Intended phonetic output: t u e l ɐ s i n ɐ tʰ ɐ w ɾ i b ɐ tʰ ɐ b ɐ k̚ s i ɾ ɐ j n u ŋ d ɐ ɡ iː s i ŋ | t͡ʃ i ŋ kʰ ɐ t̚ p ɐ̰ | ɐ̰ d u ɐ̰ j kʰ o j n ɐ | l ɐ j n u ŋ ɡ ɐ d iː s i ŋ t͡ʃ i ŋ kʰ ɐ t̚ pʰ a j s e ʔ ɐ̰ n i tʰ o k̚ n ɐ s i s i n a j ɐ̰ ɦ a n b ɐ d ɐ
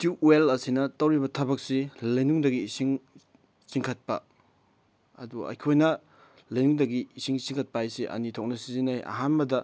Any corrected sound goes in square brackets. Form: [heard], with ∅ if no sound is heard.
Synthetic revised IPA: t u e l ɐ s i n ɐ [t] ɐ w ɾ i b ɐ tʰ ɐ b ɐ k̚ s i [l] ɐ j n u ŋ d ɐ ɡ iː s i ŋ | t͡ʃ i ŋ kʰ ɐ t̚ p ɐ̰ | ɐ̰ d u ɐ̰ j kʰ o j n ɐ | l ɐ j n u ŋ [d] ɐ [ɡ] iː s i ŋ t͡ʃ i ŋ kʰ ɐ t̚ [p] a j s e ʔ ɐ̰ n i tʰ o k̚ n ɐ s i [z] i n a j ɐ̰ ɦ a n b ɐ d ɐ